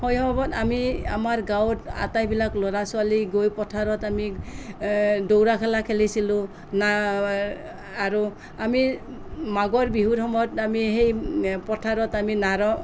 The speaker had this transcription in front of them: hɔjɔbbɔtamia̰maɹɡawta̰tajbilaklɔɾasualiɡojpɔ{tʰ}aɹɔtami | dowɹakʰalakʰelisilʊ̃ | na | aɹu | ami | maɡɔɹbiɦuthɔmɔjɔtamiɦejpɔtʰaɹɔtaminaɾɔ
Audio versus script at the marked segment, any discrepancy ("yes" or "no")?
no